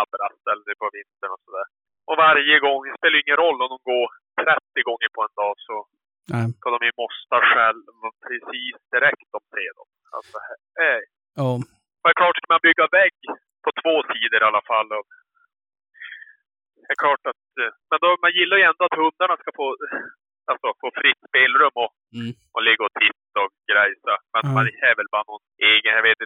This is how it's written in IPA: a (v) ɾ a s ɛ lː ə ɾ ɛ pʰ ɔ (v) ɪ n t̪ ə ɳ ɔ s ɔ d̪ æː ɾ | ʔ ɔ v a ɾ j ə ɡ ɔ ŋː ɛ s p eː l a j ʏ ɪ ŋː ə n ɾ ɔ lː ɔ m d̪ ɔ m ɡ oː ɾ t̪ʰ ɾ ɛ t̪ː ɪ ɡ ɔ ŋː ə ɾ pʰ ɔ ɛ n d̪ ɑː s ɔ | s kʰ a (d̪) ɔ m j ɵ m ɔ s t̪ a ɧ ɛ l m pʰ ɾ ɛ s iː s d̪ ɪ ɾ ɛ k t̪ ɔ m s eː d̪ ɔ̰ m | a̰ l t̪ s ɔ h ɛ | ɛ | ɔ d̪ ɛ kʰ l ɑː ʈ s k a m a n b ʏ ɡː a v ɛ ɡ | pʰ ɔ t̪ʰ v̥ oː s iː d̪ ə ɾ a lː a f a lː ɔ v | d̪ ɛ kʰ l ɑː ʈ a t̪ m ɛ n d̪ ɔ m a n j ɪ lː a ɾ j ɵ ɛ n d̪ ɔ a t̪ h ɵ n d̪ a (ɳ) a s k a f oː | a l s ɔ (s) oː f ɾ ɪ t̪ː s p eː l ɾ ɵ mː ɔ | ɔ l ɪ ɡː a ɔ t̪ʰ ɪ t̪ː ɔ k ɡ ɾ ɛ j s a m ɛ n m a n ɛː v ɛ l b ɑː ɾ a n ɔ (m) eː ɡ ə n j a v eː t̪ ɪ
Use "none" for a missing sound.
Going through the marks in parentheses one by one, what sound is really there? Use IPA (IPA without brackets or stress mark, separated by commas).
b, v, d̪, ɳ, f, n